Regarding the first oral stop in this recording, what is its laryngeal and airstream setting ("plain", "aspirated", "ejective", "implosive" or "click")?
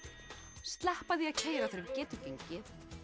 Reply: plain